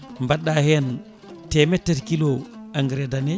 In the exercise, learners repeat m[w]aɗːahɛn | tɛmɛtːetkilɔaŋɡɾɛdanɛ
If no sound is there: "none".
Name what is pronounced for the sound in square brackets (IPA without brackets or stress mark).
b